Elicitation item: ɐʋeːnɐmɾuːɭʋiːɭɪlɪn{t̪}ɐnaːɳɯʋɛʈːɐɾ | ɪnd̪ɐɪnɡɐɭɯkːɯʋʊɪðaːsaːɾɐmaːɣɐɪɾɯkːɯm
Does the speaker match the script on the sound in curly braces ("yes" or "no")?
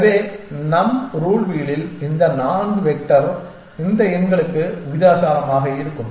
no